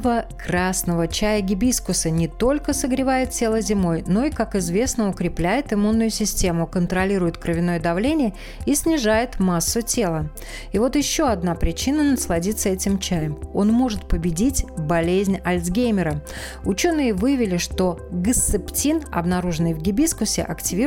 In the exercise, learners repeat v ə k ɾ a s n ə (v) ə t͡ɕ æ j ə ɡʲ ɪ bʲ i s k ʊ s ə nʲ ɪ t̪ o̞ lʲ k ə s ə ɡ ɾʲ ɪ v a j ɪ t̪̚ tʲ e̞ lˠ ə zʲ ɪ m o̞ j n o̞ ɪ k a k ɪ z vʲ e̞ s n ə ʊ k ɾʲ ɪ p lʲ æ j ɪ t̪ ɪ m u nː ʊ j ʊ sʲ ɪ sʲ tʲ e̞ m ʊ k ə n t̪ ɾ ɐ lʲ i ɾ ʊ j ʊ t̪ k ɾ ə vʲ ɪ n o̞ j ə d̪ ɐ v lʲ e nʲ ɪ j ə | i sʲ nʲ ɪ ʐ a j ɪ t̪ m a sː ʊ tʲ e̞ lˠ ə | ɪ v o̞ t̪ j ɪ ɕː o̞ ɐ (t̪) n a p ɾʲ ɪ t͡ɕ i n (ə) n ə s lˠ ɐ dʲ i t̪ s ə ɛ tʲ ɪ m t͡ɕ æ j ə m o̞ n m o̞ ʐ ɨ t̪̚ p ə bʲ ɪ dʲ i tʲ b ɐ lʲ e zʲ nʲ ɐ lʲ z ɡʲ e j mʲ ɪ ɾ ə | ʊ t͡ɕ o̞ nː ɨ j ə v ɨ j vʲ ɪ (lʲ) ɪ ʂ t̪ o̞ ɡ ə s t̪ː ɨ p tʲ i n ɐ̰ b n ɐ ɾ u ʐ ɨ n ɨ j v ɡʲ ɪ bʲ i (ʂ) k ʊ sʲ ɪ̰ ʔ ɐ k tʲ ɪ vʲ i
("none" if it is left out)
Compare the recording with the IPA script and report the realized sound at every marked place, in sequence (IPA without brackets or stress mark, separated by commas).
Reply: v, d̪, ə, lʲ, s